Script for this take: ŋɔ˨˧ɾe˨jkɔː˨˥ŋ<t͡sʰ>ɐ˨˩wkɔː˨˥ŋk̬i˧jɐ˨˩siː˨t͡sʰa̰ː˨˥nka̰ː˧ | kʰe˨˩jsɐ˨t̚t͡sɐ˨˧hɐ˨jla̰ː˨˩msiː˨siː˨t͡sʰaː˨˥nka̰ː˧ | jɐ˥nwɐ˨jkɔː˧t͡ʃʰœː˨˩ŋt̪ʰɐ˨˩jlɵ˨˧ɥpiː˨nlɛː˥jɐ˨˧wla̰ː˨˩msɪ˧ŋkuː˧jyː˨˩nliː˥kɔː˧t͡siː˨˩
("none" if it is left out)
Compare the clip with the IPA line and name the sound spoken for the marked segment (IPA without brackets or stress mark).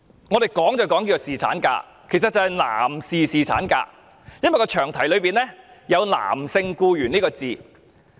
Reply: t͡s